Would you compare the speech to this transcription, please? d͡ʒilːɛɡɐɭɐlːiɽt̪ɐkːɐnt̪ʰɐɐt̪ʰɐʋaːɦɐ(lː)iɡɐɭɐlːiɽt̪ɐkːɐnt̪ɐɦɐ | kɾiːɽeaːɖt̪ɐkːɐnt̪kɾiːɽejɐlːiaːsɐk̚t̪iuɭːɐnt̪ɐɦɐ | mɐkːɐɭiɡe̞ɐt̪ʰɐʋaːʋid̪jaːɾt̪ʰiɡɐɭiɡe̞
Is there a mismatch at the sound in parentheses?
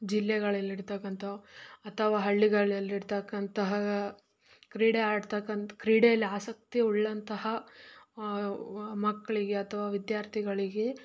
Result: yes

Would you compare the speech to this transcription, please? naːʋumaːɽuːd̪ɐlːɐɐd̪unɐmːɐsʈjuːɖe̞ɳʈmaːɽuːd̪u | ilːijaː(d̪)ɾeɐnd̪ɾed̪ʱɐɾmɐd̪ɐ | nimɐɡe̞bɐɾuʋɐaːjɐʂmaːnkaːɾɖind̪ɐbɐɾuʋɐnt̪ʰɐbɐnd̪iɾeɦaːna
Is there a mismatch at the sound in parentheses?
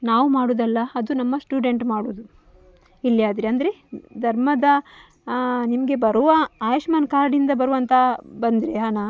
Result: no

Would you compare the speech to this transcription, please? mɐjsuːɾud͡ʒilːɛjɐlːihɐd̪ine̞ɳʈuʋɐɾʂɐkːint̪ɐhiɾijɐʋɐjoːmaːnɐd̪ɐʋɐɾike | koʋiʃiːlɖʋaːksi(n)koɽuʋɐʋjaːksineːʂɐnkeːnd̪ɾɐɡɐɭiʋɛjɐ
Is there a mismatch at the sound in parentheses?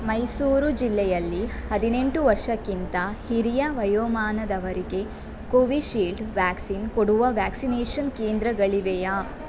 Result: no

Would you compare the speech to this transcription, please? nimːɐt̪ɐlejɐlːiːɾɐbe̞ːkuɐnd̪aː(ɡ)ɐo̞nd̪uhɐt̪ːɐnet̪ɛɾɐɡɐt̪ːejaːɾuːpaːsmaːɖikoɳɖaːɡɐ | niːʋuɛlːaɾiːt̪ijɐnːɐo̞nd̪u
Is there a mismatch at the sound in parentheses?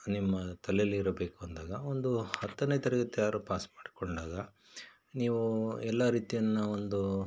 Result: no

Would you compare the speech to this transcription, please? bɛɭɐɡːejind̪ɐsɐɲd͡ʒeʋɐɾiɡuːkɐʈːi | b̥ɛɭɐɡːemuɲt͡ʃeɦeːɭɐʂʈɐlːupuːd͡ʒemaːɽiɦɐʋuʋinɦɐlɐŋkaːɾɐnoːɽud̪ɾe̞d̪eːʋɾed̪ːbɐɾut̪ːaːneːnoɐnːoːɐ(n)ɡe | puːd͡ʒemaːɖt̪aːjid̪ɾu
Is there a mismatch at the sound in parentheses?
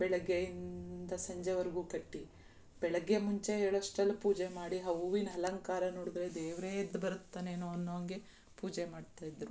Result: yes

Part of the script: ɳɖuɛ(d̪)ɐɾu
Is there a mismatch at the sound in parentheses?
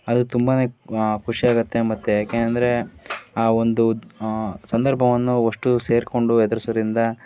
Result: no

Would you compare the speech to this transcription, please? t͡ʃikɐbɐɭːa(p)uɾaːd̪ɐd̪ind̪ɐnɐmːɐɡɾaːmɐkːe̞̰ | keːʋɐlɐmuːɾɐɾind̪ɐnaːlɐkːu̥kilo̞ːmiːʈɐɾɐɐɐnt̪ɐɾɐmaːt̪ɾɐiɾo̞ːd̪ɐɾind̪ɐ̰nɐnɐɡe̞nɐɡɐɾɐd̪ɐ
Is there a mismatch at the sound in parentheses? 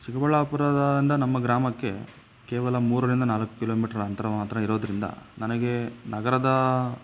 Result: no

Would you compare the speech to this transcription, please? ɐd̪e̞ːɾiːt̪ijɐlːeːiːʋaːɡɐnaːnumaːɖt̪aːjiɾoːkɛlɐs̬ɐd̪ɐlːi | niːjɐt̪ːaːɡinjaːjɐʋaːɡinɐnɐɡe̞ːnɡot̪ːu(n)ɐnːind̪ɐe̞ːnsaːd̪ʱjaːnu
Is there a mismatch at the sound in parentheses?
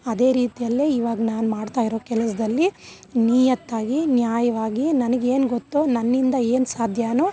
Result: no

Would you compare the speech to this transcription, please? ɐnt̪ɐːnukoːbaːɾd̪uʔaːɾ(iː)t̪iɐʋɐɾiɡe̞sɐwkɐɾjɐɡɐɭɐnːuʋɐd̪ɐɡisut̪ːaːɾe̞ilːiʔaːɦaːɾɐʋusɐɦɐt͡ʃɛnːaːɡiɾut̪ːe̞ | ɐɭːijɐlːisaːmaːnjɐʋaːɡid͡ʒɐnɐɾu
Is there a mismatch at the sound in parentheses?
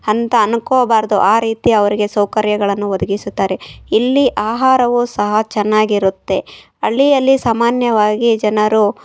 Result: no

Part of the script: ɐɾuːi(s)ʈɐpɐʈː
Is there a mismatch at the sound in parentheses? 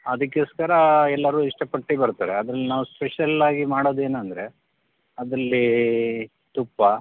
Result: yes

